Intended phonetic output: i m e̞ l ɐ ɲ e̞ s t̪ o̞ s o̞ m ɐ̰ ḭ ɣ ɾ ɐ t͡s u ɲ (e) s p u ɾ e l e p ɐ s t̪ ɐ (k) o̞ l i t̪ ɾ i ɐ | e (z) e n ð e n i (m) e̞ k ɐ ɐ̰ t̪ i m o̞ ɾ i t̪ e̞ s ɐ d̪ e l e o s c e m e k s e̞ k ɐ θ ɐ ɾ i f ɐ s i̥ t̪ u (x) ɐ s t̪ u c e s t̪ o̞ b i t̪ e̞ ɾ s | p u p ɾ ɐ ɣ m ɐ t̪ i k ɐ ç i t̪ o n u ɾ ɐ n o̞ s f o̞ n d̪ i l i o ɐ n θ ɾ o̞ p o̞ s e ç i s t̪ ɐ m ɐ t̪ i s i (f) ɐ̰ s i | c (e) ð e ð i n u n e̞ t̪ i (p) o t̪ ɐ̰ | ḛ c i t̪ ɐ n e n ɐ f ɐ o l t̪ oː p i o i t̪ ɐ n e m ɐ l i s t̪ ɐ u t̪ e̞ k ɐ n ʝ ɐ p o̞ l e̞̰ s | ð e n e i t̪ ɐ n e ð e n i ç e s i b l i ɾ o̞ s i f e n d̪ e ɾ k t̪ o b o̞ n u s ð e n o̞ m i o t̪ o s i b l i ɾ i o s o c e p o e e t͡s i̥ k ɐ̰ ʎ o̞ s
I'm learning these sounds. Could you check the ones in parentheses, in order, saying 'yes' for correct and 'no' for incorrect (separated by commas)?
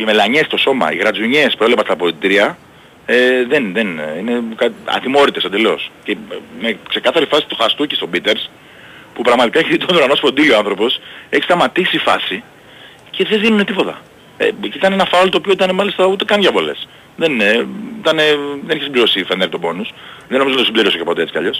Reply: yes, no, no, no, yes, yes, yes, yes